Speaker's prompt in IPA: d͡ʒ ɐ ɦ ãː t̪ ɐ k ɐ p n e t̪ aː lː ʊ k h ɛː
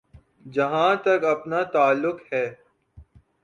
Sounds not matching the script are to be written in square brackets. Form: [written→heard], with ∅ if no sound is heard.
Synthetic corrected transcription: d͡ʒ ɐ ɦ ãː t̪ ɐ k ɐ p n [e→a] t̪ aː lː ʊ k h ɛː